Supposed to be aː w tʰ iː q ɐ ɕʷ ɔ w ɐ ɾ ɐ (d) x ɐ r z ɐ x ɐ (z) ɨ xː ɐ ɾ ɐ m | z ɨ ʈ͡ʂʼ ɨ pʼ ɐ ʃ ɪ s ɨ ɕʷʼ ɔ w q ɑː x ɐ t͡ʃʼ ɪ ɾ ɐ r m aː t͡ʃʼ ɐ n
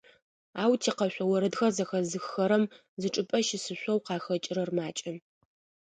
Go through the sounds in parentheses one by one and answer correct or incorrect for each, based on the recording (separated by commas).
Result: correct, correct